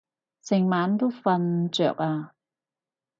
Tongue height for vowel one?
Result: high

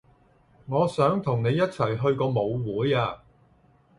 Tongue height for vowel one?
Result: mid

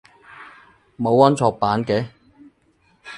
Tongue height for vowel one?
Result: mid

